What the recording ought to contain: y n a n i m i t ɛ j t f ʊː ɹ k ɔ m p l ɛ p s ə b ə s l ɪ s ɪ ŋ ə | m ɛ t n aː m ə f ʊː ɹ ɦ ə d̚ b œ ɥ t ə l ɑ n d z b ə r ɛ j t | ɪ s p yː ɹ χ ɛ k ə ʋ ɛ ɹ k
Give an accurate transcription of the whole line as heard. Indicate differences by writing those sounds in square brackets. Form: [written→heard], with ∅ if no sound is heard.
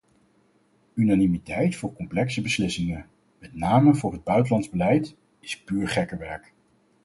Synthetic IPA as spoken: y n a n i m i t ɛ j t f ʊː ɹ k ɔ m p l ɛ [p→k] s ə b ə s l ɪ s ɪ ŋ ə | m ɛ t n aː m ə [f→v] ʊː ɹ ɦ ə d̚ b œ ɥ t ə l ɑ n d z b ə [r→l] ɛ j t | ɪ s p yː ɹ χ ɛ k ə ʋ ɛ ɹ k